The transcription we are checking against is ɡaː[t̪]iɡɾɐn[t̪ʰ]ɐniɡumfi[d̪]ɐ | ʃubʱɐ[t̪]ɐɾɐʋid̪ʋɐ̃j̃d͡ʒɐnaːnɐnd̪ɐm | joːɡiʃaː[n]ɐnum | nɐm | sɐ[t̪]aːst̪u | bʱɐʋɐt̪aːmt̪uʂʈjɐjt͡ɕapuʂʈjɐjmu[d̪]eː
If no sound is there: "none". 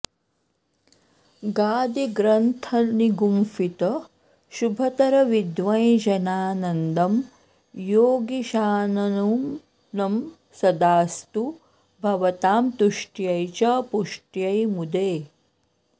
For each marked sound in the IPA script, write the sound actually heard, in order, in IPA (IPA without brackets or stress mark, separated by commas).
d̪, t̪ʰ, t̪, t̪, n, d̪, d̪